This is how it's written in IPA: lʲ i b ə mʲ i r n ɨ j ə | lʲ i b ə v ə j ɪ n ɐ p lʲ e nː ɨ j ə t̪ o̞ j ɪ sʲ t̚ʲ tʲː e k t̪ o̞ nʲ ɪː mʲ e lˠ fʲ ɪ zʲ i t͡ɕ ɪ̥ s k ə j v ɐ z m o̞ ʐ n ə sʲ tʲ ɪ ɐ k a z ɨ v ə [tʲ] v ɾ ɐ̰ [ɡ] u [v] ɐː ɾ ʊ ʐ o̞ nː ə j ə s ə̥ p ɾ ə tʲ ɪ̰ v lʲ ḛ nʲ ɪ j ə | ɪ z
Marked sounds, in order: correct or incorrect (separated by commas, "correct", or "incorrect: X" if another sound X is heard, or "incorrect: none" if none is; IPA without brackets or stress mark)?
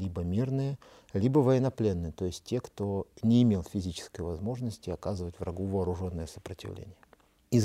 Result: correct, correct, correct